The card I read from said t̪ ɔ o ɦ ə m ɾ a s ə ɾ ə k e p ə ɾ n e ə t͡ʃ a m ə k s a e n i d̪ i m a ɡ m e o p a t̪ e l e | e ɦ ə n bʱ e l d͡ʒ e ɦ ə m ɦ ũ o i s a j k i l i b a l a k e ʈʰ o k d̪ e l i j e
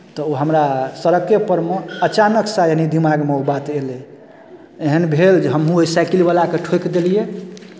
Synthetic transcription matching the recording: t̪ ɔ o ɦ ə m ɾ a s ə ɾ ə k e p ə ɾ m e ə t͡ʃ a n ə k s a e n i d̪ i m a ɡ m e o b a t̪ e l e | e ɦ ə n bʱ e l d͡ʒ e ɦ ə m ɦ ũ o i s a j k i l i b a l a k e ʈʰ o k d̪ e l i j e